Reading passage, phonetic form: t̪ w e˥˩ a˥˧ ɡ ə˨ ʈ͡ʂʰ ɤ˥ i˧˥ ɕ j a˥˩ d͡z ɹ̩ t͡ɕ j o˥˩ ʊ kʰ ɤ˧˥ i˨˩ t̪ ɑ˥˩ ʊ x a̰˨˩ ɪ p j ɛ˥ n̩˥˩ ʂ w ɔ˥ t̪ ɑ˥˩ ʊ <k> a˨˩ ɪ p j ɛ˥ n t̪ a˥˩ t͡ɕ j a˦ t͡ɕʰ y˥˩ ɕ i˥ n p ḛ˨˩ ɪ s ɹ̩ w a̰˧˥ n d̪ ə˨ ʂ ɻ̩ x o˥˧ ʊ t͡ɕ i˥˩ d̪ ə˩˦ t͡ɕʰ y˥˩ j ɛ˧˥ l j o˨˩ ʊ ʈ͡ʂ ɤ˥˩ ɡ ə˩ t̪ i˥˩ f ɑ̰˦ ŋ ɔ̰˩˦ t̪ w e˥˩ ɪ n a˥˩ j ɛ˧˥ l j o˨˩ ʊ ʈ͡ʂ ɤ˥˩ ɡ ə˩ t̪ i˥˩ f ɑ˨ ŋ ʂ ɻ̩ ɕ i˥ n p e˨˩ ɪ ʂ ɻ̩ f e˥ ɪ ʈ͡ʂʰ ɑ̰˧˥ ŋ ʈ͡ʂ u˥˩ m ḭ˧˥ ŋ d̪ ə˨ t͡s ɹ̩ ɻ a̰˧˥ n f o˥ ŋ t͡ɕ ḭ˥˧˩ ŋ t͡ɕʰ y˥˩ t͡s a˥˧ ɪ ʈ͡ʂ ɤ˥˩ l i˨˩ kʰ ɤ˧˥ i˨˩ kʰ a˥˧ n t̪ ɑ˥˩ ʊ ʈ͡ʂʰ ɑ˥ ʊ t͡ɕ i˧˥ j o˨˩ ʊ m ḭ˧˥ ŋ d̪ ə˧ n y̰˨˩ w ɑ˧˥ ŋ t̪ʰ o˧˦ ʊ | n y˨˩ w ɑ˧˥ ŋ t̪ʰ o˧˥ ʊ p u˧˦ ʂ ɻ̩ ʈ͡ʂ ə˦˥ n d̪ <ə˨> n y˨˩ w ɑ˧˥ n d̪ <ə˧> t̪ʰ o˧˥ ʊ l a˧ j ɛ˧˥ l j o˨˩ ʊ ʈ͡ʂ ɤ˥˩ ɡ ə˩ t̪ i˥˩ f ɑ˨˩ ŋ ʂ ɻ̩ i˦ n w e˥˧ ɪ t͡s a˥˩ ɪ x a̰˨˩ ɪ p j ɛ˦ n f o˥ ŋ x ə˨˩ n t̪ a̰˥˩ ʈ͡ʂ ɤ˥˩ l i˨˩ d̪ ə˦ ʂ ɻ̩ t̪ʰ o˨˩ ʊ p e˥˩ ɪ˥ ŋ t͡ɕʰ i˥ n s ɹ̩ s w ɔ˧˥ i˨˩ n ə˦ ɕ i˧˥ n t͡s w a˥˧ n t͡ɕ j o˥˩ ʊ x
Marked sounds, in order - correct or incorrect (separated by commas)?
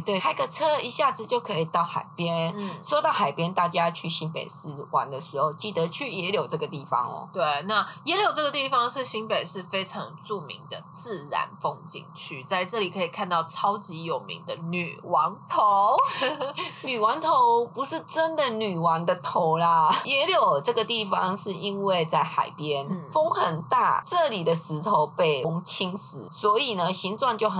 incorrect, correct, correct